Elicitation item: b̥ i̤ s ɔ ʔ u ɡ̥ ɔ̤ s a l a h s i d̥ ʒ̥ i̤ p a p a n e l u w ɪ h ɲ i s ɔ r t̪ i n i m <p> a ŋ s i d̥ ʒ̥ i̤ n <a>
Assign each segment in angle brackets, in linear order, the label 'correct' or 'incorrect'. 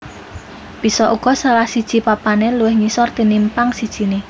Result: correct, incorrect: e

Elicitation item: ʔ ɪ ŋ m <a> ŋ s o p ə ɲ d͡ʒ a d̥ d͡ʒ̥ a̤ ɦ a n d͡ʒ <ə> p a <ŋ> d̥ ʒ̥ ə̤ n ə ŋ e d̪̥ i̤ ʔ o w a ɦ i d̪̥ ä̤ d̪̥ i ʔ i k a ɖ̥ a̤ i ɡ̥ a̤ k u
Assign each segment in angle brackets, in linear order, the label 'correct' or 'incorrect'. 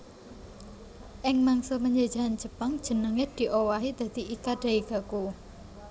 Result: correct, correct, correct

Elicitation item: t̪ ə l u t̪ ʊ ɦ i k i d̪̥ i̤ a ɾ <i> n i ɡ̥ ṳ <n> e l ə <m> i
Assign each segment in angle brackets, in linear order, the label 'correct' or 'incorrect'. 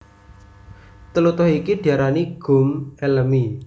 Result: incorrect: a, incorrect: m, correct

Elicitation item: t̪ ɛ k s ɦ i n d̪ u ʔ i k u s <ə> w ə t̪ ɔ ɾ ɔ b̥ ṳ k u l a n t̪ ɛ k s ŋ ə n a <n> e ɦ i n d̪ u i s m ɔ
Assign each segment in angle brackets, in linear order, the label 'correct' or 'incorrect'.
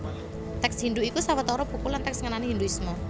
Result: incorrect: a, correct

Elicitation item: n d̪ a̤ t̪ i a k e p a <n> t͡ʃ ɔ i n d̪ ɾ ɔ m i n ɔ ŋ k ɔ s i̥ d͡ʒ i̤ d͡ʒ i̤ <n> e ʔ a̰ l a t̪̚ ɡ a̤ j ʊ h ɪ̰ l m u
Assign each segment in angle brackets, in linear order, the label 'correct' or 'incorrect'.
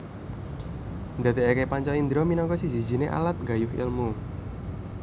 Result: incorrect: ɲ, correct

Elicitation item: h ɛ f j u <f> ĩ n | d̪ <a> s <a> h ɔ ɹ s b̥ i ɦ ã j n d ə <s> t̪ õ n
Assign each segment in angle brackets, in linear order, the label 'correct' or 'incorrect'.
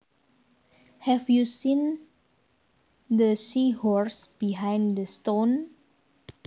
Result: incorrect: s, incorrect: ə, incorrect: i, correct

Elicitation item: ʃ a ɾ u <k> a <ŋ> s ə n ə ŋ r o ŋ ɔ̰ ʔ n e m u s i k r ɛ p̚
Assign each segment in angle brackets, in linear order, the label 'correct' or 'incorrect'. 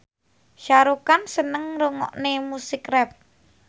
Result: correct, incorrect: n

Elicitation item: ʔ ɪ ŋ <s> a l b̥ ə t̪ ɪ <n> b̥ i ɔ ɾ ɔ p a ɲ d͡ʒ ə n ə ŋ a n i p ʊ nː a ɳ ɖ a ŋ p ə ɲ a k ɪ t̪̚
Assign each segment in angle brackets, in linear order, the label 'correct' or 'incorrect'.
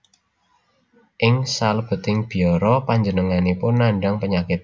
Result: correct, incorrect: ŋ

